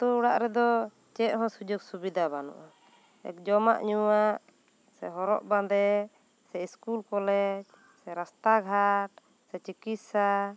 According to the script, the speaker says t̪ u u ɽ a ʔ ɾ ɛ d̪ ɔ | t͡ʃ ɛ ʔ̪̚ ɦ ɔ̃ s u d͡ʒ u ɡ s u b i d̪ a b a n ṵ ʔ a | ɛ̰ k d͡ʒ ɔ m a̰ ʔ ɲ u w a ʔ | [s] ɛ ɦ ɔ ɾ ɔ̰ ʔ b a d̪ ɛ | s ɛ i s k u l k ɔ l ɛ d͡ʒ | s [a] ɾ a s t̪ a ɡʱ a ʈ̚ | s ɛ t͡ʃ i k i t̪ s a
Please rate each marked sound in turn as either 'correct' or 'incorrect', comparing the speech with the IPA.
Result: correct, incorrect: ɛ

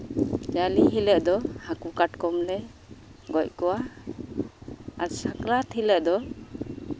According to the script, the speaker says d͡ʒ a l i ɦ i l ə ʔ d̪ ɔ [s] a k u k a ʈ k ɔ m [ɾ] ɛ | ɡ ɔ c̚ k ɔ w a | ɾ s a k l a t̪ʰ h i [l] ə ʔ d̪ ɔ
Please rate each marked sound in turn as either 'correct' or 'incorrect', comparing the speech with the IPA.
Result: incorrect: h, incorrect: l, correct

